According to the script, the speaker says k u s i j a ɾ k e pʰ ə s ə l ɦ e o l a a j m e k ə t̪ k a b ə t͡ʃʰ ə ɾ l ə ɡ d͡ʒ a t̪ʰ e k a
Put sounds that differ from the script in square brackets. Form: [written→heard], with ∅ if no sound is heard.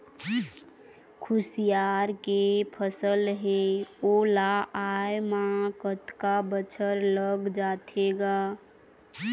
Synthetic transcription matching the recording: [k→kʰ] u s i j a ɾ k e pʰ ə s ə l ɦ e o l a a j m [e→a] k ə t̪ k a b ə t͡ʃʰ ə ɾ l ə ɡ d͡ʒ a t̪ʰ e [k→ɡ] a

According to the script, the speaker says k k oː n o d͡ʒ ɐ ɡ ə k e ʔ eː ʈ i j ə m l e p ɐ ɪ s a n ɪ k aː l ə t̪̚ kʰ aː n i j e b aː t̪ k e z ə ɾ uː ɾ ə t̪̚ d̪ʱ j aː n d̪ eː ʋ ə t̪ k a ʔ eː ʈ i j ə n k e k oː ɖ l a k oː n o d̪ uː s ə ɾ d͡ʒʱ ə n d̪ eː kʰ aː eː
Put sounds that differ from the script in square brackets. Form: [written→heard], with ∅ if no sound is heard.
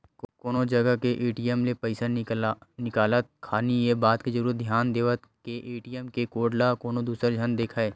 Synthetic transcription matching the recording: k k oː n o d͡ʒ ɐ ɡ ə k e ʔ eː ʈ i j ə m l e p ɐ ɪ s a n ɪ k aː l ə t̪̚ kʰ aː n i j e b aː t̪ k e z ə ɾ uː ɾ ə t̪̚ d̪ʱ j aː n d̪ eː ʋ ə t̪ k [a→e] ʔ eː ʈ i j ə [n→m] k e k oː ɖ l a k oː n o d̪ uː s ə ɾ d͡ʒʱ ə n d̪ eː kʰ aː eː

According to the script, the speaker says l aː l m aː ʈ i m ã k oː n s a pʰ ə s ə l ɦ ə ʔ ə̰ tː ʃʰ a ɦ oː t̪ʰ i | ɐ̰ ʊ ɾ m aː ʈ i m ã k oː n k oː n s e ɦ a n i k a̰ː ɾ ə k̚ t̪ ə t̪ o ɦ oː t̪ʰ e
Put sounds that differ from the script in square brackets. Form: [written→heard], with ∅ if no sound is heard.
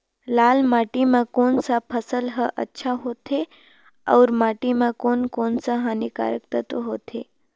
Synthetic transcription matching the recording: l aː l m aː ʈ i m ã k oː n s a pʰ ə s ə l ɦ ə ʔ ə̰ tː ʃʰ a ɦ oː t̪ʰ [i→e] | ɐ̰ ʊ ɾ m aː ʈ i m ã k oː n k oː n s [e→a] ɦ a n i k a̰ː ɾ ə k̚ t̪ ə t̪ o ɦ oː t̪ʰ e

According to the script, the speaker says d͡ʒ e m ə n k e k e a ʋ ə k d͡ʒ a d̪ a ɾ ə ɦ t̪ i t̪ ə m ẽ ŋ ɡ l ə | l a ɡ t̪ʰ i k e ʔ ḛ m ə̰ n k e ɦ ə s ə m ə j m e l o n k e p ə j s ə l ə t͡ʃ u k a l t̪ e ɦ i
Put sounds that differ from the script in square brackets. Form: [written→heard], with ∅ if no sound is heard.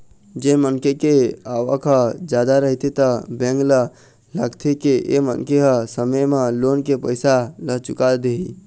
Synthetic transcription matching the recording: d͡ʒ e m ə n k e k e a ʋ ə k d͡ʒ a d̪ a ɾ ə ɦ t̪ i t̪ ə [m→b] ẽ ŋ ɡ l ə | l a ɡ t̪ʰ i k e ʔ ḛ m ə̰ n k e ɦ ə s ə m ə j m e l o n k e p ə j s [ə→a] l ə t͡ʃ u k a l [t̪→d̪] e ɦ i

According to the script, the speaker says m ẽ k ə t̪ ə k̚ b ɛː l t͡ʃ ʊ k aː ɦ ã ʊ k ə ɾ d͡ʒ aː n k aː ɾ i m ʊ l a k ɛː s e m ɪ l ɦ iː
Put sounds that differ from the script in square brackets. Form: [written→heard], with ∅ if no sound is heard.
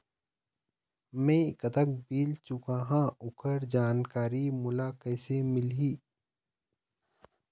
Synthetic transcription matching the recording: m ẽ k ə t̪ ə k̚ b [ɛː→iː] l t͡ʃ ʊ k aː ɦ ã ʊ k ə ɾ d͡ʒ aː n k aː ɾ i m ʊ l a k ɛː s e m ɪ l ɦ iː

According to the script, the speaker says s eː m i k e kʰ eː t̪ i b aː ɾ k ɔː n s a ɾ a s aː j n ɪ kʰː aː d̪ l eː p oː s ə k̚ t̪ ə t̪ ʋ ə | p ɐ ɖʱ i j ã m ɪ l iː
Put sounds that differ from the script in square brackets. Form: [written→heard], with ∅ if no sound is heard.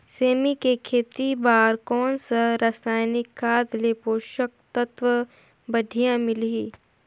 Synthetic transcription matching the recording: s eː m i k e kʰ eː t̪ i b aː ɾ k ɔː n s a ɾ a s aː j n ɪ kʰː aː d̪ l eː p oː [s→ʃ] ə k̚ t̪ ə t̪ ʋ ə | [p→b] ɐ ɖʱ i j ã m ɪ l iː

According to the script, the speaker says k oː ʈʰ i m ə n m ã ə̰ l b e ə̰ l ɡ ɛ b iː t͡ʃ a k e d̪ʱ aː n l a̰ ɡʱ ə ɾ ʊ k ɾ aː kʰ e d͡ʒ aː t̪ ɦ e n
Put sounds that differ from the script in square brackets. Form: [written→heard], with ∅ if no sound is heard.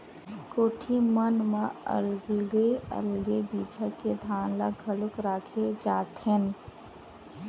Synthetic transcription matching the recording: k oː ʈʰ i m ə n m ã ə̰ l [b→ɡ] e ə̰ l ɡ [ɛ→e] b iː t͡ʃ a k e d̪ʱ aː n l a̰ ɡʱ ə [ɾ→l] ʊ k ɾ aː kʰ e d͡ʒ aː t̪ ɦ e n

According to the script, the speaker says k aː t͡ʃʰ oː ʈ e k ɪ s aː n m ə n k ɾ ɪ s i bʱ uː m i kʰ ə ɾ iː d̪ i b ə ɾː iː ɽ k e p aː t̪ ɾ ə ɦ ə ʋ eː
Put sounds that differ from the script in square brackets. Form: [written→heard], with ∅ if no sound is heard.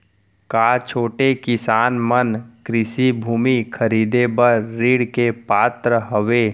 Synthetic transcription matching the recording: k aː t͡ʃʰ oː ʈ e k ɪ s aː n m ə n k ɾ ɪ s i bʱ uː m i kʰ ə ɾ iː d̪ [i→e] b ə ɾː iː ɽ k e p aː t̪ ɾ ə ɦ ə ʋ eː

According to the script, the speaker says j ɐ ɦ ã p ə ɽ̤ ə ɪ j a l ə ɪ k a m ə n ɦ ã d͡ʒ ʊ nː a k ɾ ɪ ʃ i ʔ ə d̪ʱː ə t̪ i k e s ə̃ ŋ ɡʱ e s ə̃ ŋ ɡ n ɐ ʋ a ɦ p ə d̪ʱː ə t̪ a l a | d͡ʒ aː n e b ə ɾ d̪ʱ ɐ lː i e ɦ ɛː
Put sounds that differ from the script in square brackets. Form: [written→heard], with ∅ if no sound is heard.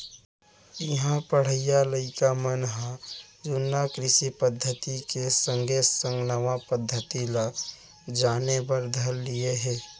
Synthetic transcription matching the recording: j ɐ ɦ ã p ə ɽ̤ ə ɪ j a l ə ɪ k a m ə n ɦ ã d͡ʒ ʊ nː a k ɾ ɪ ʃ i [ʔ→p] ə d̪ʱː ə t̪ i k e s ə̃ ŋ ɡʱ e s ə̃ ŋ ɡ n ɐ ʋ a [ɦ→∅] p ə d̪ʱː ə t̪ [a→i] l a | d͡ʒ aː n e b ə ɾ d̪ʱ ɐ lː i e ɦ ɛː

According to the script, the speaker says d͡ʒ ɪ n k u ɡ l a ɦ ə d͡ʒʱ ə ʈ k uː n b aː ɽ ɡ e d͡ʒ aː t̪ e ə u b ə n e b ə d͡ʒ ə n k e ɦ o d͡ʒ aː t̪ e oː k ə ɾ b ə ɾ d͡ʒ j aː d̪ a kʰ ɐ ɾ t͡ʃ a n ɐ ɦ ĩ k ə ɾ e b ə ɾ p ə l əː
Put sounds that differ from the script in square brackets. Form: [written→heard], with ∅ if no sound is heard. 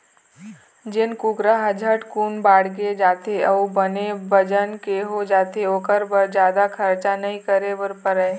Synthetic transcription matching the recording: d͡ʒ ɪ n k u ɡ [l→ɾ] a ɦ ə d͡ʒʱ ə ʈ k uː n b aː ɽ ɡ e d͡ʒ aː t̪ e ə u b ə n e b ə d͡ʒ ə n k e ɦ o d͡ʒ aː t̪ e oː k ə ɾ b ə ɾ d͡ʒ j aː d̪ a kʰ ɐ ɾ t͡ʃ a n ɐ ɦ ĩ k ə ɾ e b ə ɾ p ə [l→ɾ] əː

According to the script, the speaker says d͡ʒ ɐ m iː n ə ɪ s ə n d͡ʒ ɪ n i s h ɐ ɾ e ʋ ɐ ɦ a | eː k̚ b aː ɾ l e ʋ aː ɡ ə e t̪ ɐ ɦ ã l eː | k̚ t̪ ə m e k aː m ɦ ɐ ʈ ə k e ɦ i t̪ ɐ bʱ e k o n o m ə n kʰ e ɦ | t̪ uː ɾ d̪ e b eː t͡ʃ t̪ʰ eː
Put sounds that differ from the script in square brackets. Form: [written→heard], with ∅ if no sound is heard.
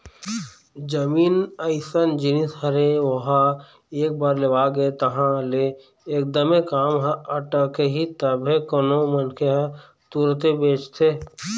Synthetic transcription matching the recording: d͡ʒ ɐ m iː n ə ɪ s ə n d͡ʒ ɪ n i s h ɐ ɾ e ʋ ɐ ɦ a | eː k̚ b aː ɾ l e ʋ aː ɡ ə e t̪ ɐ ɦ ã l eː | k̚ [t̪→d̪] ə m e k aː m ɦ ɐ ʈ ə k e ɦ i t̪ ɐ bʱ e k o n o m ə n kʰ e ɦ | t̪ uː ɾ [d̪→t̪] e b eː t͡ʃ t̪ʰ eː

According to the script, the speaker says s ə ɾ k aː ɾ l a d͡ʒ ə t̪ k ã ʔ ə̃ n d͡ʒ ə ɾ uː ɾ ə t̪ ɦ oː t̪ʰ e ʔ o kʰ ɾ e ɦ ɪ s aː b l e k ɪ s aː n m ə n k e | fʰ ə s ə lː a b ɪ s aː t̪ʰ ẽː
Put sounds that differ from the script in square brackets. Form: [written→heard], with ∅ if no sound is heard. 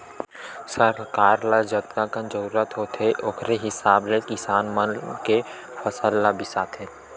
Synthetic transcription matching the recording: s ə ɾ k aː ɾ l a d͡ʒ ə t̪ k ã [ʔ→k] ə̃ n d͡ʒ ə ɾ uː ɾ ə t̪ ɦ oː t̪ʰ e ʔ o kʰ ɾ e ɦ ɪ s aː b l e k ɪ s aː n m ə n k e | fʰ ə s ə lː a b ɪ s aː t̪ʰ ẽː

